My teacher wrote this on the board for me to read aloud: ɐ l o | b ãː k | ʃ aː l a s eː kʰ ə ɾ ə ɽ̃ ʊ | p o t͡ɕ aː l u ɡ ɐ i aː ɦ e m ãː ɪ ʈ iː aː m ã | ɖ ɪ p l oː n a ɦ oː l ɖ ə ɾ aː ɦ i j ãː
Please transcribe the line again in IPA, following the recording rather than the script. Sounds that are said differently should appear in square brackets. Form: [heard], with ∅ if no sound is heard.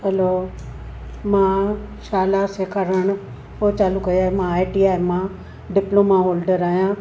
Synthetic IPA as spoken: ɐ l o | [m] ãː [∅] | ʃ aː l a s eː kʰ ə ɾ ə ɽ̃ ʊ | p o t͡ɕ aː l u [k] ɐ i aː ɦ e m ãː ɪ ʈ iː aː m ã | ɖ ɪ p l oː [m] a ɦ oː l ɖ ə ɾ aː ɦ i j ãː